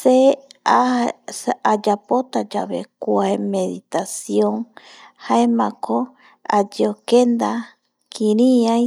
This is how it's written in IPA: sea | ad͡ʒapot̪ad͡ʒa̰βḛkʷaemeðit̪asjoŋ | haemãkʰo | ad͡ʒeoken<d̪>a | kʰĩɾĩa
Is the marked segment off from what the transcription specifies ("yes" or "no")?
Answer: no